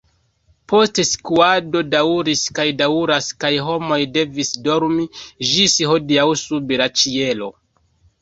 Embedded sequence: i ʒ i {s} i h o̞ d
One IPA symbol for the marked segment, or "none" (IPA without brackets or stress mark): s